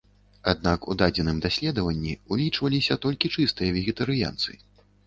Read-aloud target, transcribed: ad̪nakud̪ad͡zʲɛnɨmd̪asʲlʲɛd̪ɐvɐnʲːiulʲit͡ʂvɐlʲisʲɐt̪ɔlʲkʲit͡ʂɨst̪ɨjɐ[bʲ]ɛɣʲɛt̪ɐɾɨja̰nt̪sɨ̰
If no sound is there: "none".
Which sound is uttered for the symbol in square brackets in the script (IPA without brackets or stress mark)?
vʲ